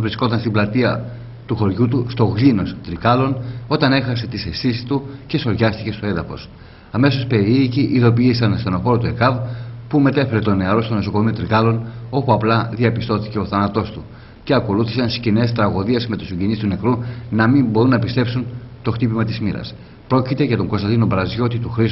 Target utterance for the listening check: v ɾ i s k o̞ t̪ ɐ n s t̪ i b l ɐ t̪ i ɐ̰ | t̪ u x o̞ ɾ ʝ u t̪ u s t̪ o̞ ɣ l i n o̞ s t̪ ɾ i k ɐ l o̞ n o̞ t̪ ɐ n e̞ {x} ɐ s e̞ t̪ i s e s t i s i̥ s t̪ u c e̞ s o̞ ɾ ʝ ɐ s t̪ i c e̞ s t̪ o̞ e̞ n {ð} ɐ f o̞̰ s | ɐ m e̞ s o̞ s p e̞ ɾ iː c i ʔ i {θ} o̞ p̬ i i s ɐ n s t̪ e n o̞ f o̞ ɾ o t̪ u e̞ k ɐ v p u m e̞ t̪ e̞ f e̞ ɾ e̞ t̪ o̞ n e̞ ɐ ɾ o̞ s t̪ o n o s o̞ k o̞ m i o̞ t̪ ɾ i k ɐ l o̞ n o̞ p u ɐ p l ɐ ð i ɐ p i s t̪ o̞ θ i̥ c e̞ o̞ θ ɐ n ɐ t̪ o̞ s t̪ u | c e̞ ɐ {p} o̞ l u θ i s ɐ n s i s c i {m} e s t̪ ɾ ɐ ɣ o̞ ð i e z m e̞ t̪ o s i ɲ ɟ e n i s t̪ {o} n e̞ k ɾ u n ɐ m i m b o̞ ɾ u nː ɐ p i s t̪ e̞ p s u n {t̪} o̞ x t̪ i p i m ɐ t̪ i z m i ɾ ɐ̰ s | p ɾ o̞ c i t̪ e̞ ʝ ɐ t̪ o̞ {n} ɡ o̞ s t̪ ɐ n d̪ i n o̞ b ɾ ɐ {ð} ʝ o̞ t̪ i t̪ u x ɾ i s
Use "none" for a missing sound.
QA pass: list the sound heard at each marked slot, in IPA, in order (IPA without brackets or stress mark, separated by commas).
x, ð, ð, k, n, u, t̪, ŋ, z